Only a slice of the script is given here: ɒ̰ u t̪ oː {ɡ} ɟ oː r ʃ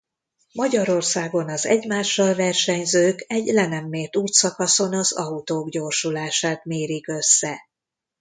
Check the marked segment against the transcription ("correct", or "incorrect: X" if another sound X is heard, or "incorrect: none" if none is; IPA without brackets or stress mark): correct